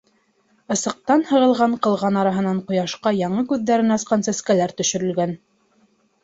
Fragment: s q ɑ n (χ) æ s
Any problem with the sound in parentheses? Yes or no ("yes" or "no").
yes